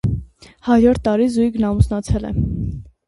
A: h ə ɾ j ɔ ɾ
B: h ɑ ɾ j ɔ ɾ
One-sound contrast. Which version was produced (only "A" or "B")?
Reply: B